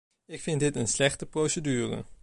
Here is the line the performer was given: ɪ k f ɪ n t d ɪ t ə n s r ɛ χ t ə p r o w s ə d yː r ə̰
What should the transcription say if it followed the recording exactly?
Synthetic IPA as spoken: ɪ k f ɪ n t d ɪ t ə n s l ɛ χ t ə p r o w s ə d yː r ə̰